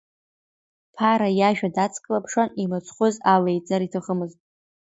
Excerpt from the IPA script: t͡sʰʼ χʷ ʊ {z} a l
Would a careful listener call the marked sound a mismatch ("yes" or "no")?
no